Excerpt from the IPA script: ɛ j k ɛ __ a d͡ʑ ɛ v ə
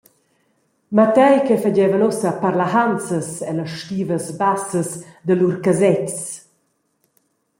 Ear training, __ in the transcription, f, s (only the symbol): f